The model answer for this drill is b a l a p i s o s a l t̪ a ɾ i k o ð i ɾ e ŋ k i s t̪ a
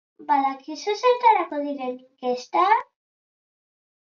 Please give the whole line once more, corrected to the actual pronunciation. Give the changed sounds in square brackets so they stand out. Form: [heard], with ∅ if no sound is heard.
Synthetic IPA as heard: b a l a [k] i s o s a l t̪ a ɾ [a] k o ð i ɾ e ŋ k [e] s t̪ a